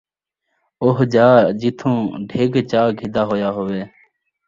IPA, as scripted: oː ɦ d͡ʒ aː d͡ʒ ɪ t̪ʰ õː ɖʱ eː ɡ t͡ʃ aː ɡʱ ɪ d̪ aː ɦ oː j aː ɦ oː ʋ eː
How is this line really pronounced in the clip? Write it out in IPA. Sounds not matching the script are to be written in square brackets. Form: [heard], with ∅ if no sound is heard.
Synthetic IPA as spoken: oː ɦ d͡ʒ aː d͡ʒ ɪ t̪ʰ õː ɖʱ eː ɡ t͡ʃ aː ɡʱ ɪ d̪ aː ɦ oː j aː ɦ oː ʋ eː